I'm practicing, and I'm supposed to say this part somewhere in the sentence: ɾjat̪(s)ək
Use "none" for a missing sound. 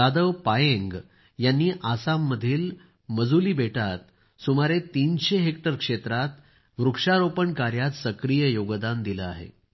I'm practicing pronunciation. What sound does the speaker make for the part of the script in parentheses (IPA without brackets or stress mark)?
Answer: s